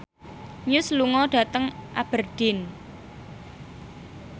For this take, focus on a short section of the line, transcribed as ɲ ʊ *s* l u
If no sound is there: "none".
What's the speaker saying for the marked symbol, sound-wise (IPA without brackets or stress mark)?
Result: s